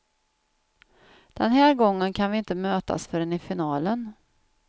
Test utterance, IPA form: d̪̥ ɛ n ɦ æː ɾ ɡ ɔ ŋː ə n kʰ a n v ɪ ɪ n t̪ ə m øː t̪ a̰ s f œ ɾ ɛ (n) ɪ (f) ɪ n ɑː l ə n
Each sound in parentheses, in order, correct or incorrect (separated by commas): correct, correct